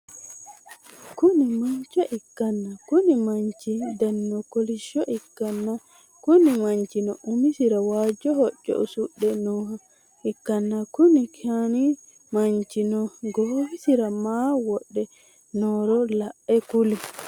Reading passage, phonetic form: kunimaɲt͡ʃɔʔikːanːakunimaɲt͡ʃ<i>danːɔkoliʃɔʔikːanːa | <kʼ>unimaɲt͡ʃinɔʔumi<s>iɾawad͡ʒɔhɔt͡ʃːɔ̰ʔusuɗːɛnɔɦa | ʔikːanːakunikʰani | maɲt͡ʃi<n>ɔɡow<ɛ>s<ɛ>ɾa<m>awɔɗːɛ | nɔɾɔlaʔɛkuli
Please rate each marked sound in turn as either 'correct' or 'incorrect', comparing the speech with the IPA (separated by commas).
correct, incorrect, correct, correct, incorrect, incorrect, correct